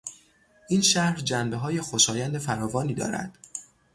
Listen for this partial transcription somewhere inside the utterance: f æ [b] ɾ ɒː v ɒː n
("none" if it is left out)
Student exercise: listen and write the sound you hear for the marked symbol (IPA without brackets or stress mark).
none